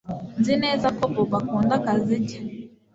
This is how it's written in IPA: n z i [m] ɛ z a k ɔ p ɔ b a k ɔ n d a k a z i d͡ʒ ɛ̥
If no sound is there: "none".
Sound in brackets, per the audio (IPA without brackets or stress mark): n